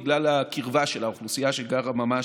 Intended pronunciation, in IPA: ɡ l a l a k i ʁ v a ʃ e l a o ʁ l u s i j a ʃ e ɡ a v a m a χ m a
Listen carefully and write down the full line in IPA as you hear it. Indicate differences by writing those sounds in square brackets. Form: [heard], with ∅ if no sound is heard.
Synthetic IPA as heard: ɡ l a l a k i ʁ v a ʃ e l a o [χ] l u s i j a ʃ e ɡ a [ʁ] a m a [∅] m a